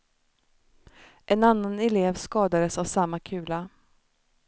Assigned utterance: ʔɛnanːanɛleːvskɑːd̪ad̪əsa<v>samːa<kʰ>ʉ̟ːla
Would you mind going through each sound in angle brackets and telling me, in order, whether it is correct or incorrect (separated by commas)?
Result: correct, correct